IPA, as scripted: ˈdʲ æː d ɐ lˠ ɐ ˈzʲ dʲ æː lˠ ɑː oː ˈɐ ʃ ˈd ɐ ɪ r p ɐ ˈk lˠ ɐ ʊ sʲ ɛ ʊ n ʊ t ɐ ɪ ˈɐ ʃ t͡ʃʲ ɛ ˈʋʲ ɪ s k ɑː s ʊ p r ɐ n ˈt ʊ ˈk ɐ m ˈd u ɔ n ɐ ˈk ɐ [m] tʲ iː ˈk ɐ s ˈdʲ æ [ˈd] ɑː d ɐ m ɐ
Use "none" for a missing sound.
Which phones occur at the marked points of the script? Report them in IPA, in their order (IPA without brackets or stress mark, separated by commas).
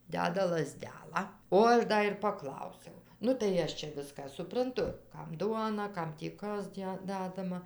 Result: m, d